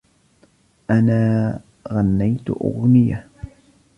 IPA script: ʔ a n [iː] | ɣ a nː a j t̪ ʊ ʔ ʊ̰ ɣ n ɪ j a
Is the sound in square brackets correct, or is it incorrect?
incorrect: aː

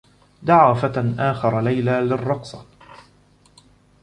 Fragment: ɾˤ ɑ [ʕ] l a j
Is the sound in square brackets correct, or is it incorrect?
incorrect: none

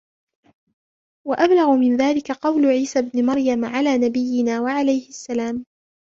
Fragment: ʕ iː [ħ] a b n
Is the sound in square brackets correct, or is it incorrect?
incorrect: s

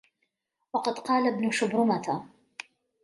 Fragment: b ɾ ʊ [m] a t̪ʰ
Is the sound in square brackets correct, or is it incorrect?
correct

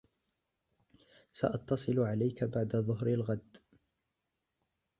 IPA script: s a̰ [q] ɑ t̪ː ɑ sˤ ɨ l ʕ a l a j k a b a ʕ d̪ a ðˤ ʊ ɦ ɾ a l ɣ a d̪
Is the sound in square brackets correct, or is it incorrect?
incorrect: ʔ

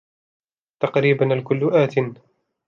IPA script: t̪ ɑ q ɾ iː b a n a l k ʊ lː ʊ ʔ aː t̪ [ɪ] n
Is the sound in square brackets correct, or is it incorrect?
correct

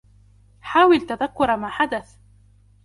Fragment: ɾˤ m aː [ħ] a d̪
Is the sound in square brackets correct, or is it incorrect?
correct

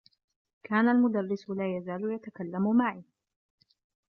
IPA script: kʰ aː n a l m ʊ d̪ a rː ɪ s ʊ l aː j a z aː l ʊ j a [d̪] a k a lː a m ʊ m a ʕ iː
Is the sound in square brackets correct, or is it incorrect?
incorrect: t̪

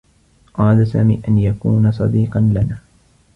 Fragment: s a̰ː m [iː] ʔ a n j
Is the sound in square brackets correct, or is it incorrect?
correct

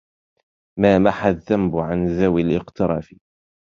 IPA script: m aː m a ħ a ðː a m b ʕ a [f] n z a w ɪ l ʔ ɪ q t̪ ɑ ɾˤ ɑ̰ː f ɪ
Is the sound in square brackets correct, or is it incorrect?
incorrect: none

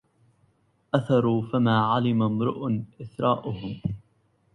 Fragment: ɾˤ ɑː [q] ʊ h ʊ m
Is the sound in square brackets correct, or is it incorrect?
incorrect: ʔ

